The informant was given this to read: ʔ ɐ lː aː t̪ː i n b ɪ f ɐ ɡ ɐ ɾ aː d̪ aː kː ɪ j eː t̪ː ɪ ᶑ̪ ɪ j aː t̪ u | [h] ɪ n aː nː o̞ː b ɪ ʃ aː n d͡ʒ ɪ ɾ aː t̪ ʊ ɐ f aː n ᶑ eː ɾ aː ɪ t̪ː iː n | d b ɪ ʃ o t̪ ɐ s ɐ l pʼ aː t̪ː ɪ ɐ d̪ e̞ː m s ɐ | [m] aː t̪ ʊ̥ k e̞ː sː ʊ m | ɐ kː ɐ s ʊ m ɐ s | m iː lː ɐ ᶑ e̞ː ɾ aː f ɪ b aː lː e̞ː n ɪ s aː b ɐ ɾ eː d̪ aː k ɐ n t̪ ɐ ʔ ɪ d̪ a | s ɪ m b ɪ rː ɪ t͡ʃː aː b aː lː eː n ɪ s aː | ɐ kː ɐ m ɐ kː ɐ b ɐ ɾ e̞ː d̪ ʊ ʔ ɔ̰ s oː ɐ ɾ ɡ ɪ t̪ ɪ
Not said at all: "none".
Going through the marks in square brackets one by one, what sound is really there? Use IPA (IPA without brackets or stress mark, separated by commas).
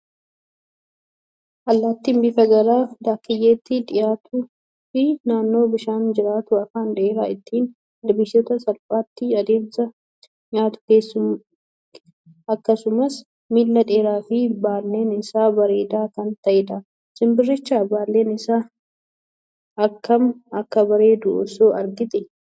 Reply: f, ɲ